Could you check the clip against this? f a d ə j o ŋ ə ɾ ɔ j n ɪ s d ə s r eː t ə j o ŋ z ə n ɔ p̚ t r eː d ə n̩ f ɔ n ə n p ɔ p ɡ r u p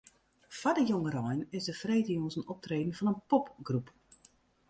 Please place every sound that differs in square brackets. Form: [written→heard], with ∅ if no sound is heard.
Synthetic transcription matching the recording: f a d ə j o ŋ ə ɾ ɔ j n ɪ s d ə [s→f] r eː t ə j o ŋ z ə n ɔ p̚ t r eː d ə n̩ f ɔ n ə n p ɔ p ɡ r u p